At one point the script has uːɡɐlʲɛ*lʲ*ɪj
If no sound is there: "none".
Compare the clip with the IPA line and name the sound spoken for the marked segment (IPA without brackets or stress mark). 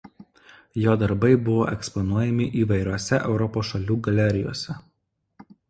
ɾʲ